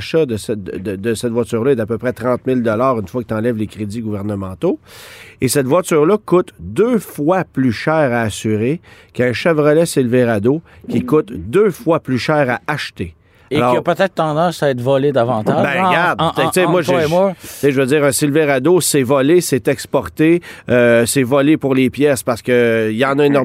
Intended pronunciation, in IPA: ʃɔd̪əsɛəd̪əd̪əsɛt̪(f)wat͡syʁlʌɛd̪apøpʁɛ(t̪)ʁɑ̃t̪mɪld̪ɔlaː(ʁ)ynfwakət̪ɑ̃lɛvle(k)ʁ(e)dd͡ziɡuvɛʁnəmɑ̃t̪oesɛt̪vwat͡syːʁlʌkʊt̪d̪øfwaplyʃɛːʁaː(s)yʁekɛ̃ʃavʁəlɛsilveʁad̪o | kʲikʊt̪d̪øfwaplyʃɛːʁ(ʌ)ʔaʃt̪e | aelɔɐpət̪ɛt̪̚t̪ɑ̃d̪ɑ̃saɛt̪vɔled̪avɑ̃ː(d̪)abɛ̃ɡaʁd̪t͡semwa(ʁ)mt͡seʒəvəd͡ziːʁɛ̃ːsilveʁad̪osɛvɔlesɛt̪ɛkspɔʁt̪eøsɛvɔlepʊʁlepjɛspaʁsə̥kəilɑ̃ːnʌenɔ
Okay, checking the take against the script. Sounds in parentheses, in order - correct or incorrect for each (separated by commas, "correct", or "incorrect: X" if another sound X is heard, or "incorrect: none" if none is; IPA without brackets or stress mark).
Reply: incorrect: v, correct, correct, correct, correct, correct, incorrect: a, incorrect: t̪, incorrect: ʒ